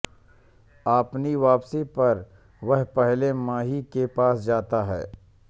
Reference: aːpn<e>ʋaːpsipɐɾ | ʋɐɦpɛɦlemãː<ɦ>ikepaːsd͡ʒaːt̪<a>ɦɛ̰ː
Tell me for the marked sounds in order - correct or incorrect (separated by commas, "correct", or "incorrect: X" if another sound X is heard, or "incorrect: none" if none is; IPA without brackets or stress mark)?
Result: incorrect: i, correct, correct